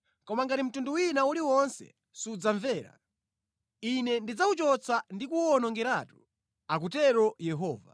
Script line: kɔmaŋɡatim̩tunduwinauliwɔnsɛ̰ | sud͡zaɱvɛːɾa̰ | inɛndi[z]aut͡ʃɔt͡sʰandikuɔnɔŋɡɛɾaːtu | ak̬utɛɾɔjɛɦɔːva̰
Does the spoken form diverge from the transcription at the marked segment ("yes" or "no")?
yes